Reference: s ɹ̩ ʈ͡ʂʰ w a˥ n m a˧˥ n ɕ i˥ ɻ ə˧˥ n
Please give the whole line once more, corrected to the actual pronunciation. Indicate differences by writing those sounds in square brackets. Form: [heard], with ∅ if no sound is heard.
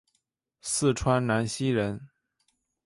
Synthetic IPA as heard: s ɹ̩ ʈ͡ʂʰ w a˥ n [n] a˧˥ n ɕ i˥ ɻ ə˧˥ n